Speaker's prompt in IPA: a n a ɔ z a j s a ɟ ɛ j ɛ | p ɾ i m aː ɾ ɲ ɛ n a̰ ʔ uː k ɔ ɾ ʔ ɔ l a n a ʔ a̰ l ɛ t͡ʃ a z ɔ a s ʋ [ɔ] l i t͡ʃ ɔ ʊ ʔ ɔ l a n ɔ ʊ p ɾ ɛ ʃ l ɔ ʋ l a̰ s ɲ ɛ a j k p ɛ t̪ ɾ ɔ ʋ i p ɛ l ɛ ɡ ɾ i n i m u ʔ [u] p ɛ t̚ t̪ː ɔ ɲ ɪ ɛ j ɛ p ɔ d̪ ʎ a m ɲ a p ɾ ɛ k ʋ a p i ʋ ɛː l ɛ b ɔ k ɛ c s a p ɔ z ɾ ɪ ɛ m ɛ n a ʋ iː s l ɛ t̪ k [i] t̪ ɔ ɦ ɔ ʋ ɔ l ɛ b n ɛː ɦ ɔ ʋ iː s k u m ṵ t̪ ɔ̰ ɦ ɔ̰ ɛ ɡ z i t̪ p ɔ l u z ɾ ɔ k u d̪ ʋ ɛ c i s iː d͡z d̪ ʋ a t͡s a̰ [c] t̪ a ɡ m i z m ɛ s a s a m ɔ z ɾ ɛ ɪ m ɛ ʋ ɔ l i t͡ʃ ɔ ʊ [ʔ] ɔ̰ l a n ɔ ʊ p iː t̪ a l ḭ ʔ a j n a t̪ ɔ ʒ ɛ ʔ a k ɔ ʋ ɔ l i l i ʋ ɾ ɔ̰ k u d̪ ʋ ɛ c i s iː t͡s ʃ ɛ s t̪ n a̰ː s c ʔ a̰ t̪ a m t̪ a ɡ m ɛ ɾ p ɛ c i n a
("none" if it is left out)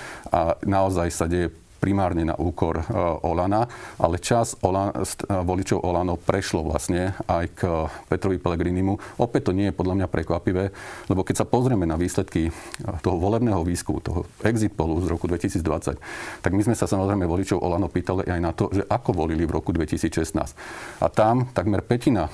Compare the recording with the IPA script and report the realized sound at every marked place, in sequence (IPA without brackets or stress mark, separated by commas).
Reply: ɔ, ɔ, i, c, ʔ